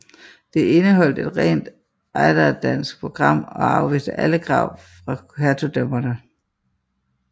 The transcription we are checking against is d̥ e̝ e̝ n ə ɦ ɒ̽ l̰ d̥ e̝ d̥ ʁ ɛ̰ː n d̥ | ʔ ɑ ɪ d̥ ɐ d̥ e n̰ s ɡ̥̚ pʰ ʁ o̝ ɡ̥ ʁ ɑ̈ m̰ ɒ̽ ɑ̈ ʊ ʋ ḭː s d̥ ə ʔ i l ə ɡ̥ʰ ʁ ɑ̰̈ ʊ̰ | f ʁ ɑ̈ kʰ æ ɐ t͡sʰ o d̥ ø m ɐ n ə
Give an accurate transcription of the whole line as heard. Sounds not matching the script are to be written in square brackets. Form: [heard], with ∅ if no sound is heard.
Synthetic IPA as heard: d̥ e̝ e̝ n ə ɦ ɒ̽ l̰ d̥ e̝ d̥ ʁ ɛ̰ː n d̥ | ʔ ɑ ɪ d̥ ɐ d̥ [æ] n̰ s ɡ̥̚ pʰ ʁ o̝ ɡ̥ ʁ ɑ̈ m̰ ɒ̽ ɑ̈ ʊ ʋ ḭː s d̥ ə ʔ [æ] l ə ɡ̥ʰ ʁ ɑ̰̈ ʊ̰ | f ʁ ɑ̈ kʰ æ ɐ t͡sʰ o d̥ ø m ɐ n ə